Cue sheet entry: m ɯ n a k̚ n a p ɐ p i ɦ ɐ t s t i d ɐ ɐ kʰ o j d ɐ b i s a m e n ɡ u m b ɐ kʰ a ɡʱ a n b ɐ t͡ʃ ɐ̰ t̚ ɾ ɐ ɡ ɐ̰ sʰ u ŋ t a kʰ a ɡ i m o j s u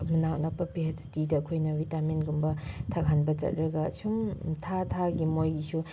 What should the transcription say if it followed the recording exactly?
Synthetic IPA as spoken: m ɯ n a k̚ n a p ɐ p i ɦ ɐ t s t i d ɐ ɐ kʰ o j n ɐ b i t a m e n ɡ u m b ɐ tʰ a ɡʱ a n b ɐ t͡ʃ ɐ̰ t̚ ɾ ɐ ɡ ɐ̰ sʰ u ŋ tʰ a tʰ a ɡ i m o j s u